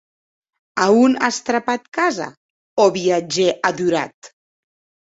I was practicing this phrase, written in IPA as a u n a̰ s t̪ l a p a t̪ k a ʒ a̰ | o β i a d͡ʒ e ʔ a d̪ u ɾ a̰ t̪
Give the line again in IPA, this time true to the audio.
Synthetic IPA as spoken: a u n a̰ s t̪ ɾ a p a t̪ k a z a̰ | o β i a d͡ʒ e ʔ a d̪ u ɾ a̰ t̪